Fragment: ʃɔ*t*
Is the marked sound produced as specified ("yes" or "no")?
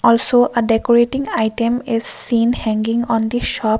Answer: no